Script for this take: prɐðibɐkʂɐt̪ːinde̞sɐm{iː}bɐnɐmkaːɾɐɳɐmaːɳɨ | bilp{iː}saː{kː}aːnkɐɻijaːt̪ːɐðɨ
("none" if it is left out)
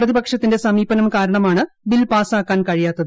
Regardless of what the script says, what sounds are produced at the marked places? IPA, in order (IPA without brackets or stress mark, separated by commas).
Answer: iː, aː, kː